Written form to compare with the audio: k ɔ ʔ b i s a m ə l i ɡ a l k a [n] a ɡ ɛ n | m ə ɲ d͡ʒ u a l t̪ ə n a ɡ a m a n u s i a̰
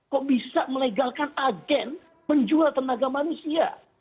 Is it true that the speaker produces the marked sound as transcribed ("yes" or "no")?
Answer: yes